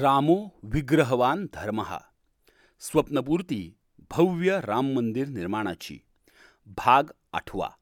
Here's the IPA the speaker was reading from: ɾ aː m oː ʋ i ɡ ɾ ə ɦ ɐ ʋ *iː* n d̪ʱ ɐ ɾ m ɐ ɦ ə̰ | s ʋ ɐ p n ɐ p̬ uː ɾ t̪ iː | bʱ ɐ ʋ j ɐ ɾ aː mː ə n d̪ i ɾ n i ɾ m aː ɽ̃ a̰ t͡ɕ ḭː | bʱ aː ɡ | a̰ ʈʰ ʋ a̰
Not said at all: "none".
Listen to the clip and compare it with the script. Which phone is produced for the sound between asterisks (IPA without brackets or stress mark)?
aː